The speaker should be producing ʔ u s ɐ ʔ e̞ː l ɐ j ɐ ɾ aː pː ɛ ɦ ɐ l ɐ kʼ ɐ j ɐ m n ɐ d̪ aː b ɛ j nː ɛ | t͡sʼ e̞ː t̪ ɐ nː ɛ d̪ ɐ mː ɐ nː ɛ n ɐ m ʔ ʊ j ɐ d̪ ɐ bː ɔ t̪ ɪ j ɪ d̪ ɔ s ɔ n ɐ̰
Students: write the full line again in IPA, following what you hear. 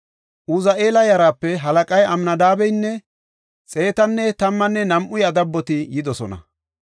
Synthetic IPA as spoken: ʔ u z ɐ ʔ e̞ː l ɐ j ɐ ɾ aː pː ɛ ɦ ɐ l ɐ kʼ ɐ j ɐ m n ɐ d̪ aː b ɛ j nː ɛ | t͡sʼ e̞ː t̪ ɐ nː ɛ t̪ ɐ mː ɐ nː ɛ n ɐ m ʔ ʊ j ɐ d̪ ɐ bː ɔ t̪ ɪ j ɪ d̪ ɔ s ɔ n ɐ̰